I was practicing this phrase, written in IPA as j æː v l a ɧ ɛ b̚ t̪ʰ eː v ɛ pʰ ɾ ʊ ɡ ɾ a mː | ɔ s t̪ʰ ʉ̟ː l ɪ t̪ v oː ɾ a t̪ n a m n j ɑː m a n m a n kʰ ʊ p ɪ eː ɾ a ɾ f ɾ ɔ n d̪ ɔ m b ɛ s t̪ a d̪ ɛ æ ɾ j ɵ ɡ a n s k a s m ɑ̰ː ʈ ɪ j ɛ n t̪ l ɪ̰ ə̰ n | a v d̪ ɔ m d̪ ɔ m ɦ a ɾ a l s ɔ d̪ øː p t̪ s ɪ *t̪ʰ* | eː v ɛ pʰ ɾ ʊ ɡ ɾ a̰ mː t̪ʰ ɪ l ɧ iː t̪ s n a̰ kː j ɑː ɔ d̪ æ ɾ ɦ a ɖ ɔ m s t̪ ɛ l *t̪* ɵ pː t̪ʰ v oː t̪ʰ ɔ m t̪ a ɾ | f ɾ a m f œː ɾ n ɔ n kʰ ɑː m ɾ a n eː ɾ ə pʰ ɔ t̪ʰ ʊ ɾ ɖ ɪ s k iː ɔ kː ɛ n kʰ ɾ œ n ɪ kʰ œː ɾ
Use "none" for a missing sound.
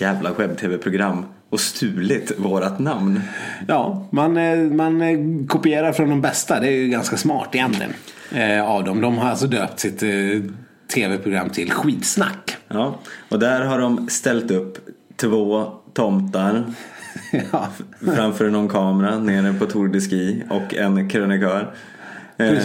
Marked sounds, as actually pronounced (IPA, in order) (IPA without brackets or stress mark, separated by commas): t̪ʰ, t̪